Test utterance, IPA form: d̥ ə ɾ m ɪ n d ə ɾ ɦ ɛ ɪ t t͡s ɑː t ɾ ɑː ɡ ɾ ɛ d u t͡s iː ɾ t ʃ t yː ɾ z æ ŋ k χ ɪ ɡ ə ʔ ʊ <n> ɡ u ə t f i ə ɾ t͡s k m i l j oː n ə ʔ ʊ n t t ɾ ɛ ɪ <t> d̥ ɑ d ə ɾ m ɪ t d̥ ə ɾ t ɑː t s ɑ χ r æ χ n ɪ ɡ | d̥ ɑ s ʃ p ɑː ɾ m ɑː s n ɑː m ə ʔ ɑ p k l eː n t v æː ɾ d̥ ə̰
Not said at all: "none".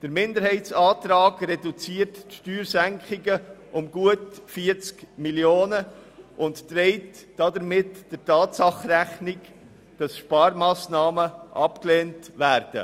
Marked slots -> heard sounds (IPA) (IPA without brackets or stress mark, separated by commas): m, t